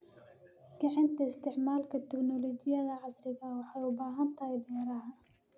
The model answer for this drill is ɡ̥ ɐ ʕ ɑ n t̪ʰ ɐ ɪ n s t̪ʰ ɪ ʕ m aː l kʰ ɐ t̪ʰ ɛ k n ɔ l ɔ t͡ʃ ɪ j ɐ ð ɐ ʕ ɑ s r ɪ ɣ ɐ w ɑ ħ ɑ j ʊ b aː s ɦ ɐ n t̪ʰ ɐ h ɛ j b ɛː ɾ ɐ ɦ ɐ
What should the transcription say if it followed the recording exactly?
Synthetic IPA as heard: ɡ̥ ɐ ʕ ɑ n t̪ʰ ɐ ɪ s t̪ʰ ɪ ʕ m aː l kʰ ɐ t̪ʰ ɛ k n ɔ l ɔ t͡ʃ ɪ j ɐ ð ɐ ʕ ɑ s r ɪ ɣ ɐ w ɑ ħ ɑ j ʊ b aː ɦ ɐ n t̪ʰ ɐ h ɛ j b ɛː ɾ ɐ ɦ ɐ

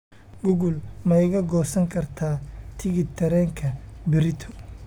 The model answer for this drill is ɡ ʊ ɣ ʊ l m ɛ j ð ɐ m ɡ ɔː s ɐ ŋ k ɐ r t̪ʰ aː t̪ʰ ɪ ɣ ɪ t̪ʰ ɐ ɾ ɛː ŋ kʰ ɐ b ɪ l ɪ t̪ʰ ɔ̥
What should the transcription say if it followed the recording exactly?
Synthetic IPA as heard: ɡ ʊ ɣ ʊ l m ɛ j ɣ ɐ ɡ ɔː s ɐ ŋ kʰ ɐ r t̪ʰ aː t̪ʰ ɪ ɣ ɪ t̪ʰ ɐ ɾ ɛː ŋ kʰ ɐ b ɪ ɾ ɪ t̪ʰ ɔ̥

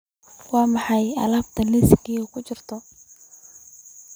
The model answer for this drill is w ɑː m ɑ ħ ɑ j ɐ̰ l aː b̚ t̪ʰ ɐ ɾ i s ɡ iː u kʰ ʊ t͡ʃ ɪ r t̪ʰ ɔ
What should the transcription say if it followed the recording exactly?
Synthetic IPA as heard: w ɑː m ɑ ħ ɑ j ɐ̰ l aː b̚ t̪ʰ ɐ l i s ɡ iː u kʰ ʊ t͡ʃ ɪ r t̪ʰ ɔ

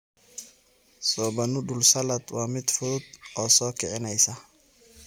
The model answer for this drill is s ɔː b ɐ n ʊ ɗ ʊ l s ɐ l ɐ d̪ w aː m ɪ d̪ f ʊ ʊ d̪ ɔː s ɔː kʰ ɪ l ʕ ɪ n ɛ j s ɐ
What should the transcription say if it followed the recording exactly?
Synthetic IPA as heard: s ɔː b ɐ n ʊ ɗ ʊ l s ɐ l ɐ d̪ w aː m ɪ d̪ f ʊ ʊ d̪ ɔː s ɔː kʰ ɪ ʕ ɪ n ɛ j s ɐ

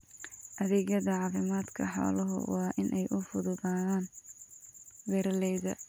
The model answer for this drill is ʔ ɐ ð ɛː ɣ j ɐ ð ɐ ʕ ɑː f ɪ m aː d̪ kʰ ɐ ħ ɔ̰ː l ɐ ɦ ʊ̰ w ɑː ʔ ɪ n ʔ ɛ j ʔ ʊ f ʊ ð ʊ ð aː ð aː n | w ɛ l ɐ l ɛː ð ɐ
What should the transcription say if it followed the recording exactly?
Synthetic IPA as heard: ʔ ɐ ð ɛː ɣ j ɐ ð ɐ ʕ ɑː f ɪ m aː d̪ kʰ ɐ ħ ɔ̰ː l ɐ ɦ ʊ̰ w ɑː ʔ ɪ n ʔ ɛ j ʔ ʊ f ʊ ð ʊ ð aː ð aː n | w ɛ ɾ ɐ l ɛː ð ɐ

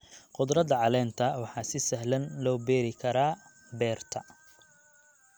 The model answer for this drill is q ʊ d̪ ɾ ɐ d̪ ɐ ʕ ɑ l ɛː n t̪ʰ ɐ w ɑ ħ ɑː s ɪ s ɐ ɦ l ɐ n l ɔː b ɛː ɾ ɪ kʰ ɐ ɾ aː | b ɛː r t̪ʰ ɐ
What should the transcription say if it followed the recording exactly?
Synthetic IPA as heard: q ʊ d̪ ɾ ɐ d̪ ɐ ʕ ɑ l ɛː n t̪ʰ ɐ w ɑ ħ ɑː s ɪ s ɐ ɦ l ɐ n l ɔː b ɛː ɾ ɪ kʰ ɐ ɾ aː | b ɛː r t̪ʰ ɐ

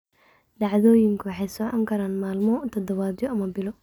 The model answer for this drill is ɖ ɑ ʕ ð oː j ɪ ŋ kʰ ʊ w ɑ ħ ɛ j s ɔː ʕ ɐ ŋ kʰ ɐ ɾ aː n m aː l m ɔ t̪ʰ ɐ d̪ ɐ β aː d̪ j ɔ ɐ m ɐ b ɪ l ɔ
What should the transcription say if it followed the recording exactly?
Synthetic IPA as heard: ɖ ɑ ʕ ð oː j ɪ ŋ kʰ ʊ w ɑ ħ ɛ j s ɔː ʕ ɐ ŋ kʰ ɐ ɾ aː n m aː l m ɔ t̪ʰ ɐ d̪ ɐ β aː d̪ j ɔ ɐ m ɐ b ɪ l ɔ

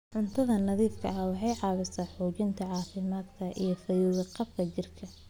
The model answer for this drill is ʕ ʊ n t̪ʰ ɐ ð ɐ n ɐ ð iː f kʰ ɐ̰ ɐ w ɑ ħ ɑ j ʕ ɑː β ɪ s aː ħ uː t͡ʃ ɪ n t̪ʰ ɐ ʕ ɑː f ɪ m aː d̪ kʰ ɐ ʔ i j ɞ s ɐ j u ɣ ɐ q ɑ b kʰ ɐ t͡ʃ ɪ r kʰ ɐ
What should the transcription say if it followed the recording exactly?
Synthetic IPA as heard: ʕ ʊ n t̪ʰ ɐ ð ɐ n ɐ ð iː f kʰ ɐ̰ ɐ w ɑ ħ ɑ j ʕ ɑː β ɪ s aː ħ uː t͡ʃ ɪ n t̪ʰ ɐ ʕ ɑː f ɪ m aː d̪ kʰ ɐ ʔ i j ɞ f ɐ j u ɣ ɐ q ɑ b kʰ ɐ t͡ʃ ɪ r kʰ ɐ

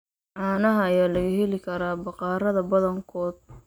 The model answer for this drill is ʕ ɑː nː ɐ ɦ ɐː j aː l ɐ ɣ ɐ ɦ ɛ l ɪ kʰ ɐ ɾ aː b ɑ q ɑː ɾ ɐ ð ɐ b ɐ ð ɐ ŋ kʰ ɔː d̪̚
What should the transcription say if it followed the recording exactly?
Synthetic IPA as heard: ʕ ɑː n ɐ ɦ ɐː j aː l ɐ ɣ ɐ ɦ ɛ l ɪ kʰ ɐ ɾ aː b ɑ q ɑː ɾ ɐ ð ɐ b ɐ ð ɐ ŋ kʰ ɔː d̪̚

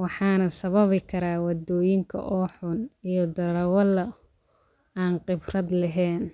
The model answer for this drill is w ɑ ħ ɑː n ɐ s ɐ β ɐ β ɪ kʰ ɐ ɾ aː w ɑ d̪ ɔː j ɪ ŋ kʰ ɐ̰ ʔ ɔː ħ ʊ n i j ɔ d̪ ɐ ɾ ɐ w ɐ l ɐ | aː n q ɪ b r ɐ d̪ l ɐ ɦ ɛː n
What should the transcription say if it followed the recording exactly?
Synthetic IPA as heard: w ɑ ħ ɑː n ɐ s ɐ β ɐ β ɪ kʰ ɐ ɾ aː w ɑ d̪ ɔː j ɪ ŋ kʰ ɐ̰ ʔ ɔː ħ ʊ n i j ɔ d̪ ɐ ɾ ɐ w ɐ l ɐ | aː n q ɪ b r ɐ d̪ l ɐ ɦ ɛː n

